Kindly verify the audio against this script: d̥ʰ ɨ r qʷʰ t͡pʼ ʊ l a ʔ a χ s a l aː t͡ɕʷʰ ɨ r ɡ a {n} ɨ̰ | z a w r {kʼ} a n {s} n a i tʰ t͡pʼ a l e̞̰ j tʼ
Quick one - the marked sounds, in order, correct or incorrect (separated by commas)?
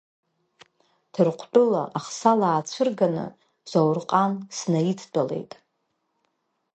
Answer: correct, incorrect, correct